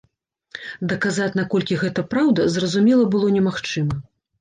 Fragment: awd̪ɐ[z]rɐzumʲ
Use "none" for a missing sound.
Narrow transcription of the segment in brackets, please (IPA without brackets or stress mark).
z